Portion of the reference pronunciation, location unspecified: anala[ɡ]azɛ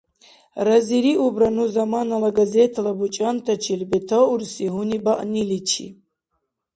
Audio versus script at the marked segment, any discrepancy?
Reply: no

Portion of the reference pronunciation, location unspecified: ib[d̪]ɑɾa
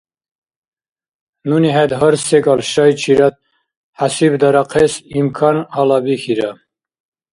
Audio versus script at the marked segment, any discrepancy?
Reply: no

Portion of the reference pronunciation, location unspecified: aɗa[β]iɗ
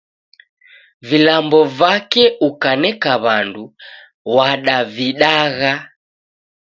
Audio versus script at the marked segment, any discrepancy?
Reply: yes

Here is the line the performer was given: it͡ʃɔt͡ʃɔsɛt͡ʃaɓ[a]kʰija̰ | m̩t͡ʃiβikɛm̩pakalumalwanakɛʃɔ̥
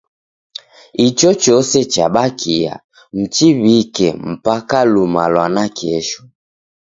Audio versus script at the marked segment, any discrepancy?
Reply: no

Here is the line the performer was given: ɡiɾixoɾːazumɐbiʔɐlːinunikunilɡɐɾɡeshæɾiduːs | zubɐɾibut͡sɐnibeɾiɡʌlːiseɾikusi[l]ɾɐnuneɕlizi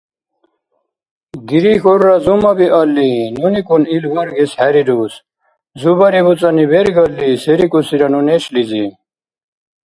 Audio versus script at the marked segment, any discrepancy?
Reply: yes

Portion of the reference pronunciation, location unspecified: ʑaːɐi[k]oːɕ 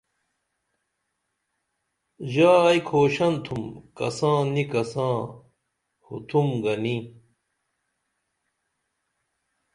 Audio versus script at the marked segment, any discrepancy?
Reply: yes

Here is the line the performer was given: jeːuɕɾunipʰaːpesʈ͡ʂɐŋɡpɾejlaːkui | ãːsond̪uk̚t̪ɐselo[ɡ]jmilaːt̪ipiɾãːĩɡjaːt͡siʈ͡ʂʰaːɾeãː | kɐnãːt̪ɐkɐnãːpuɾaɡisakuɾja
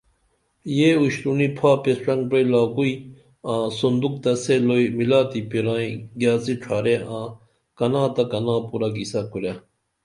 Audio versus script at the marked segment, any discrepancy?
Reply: yes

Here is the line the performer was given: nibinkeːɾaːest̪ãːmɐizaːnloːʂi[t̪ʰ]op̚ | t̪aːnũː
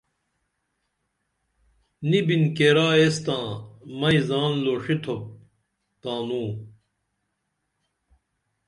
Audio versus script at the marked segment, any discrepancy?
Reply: no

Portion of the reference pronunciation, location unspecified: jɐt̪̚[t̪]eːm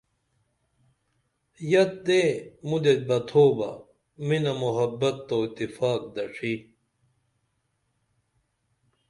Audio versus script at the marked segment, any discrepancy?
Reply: yes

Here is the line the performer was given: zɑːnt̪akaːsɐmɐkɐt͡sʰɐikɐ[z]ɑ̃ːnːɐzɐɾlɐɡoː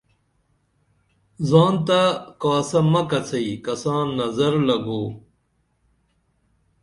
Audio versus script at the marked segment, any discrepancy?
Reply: yes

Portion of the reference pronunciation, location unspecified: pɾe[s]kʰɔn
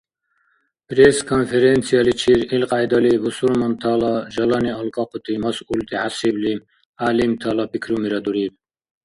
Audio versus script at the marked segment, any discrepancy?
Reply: no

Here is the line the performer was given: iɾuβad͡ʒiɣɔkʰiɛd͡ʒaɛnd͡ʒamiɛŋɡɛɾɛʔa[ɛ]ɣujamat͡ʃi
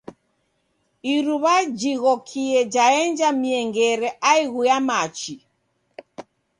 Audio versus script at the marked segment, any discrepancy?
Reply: yes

